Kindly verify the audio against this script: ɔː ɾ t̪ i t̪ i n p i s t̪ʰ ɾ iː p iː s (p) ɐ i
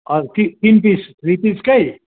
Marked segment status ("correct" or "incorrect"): incorrect